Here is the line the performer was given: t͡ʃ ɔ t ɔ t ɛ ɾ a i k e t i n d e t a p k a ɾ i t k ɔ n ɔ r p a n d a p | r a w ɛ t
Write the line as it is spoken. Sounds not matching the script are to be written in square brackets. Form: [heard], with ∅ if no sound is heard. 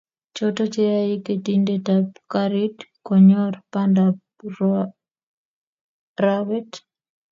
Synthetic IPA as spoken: t͡ʃ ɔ t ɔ [t͡ʃ] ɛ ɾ a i k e t i n d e t a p k a ɾ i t k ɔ [ɲ] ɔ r p a n d a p | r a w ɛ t